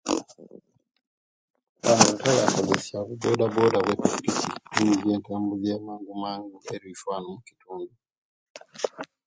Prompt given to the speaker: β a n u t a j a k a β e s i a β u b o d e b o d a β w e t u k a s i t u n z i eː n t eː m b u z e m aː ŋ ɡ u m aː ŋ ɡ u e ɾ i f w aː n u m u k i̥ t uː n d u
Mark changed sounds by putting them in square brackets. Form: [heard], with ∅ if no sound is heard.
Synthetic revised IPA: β a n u t a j a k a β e s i a β u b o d [a] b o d a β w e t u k [i] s i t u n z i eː n t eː m b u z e m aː ŋ ɡ u m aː ŋ ɡ u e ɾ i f w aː n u m u k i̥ t uː n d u